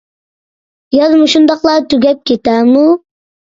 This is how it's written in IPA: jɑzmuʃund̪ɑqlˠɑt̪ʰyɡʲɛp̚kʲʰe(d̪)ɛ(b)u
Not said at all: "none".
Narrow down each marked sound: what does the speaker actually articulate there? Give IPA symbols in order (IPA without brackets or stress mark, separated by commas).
t̪, m